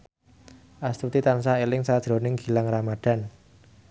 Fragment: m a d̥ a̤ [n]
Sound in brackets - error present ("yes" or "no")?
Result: no